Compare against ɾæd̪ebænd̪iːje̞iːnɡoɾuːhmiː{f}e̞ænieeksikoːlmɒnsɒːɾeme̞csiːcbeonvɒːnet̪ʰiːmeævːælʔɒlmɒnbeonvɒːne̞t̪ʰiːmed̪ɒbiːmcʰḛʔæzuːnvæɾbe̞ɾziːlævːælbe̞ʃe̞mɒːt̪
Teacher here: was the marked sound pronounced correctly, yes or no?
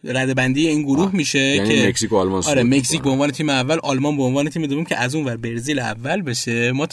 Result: no